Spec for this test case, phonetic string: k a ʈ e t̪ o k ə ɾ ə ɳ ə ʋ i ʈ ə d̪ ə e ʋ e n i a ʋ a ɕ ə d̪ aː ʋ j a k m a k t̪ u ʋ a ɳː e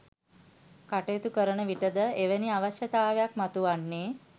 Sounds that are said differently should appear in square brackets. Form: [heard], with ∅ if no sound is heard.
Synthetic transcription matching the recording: k a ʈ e t̪ [u] k ə ɾ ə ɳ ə ʋ i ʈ ə d̪ ə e ʋ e n i a ʋ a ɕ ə [t̪] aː ʋ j a k m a [∅] t̪ u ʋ a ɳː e